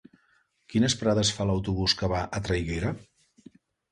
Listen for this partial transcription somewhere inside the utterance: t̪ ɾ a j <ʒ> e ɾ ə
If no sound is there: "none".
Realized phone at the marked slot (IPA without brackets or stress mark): ɣ